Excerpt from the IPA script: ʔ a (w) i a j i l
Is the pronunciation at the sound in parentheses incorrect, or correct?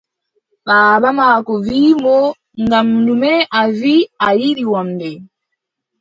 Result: incorrect